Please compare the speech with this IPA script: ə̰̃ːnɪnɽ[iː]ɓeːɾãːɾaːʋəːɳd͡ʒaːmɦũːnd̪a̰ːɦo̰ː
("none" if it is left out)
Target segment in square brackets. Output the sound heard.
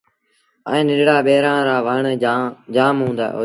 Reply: aː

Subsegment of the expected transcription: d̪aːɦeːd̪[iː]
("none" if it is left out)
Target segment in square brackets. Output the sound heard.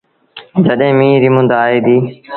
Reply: iː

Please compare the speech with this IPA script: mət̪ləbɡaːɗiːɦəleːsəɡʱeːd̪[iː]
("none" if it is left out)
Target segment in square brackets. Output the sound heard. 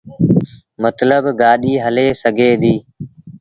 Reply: iː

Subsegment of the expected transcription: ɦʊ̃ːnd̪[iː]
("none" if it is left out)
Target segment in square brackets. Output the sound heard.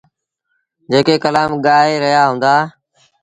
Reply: aː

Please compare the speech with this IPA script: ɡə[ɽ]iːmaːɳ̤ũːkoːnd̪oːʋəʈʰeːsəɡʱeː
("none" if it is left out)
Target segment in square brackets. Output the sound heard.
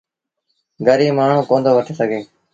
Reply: ɾ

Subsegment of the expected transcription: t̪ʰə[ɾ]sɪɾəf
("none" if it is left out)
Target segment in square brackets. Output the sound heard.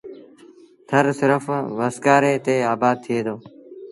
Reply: ɾ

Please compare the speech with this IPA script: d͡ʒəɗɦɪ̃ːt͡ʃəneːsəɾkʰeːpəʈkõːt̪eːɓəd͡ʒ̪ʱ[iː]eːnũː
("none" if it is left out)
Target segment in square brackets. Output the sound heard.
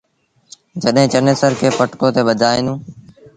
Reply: aː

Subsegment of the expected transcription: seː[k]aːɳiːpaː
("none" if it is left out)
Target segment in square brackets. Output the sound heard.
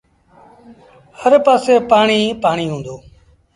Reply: p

